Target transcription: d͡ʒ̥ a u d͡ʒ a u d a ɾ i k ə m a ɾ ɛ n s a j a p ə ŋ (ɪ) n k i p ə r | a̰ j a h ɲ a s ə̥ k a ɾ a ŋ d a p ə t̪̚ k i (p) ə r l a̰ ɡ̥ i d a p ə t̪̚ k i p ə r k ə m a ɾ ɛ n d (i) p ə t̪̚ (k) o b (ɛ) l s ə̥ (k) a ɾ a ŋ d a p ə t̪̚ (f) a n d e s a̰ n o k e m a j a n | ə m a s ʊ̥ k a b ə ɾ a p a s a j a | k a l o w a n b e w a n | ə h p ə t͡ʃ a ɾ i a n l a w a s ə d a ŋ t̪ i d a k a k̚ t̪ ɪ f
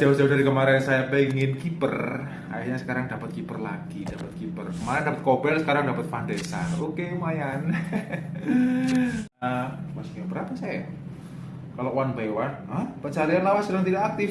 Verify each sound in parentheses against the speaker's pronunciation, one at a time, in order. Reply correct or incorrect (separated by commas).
correct, correct, incorrect, correct, correct, correct, correct